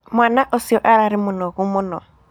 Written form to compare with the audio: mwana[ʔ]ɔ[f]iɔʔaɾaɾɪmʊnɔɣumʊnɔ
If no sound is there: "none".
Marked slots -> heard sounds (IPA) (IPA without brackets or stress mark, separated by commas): ʔ, s